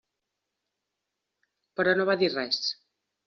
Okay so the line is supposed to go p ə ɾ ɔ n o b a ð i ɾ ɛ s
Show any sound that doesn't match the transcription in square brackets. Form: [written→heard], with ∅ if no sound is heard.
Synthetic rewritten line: p ə ɾ ɔ n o [b→β] a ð i [ɾ→r] ɛ s